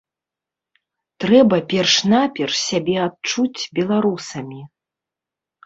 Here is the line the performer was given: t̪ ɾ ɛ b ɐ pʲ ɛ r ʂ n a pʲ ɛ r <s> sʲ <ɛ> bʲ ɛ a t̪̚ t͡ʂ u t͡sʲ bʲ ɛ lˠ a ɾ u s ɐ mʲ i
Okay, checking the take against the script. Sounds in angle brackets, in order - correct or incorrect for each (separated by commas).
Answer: incorrect, incorrect